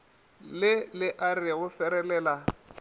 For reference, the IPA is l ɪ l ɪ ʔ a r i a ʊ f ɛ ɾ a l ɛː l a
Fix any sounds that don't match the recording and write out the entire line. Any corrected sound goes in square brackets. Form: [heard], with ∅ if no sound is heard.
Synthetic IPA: l ɪ l ɪ ʔ a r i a ʊ f ɛ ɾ [ɛ] l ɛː l a